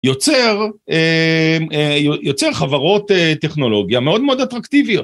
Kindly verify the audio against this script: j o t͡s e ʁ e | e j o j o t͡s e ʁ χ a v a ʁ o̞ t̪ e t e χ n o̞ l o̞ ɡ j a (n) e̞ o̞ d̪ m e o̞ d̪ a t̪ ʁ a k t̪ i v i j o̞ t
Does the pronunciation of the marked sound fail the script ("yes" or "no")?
yes